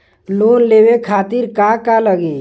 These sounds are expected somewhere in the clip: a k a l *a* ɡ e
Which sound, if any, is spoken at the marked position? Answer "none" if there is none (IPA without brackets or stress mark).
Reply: ə